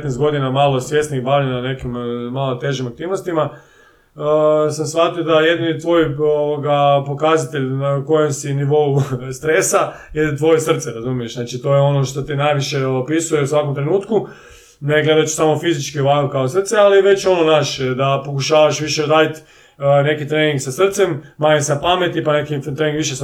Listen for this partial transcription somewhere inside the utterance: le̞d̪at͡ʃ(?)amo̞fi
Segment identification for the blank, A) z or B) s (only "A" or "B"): B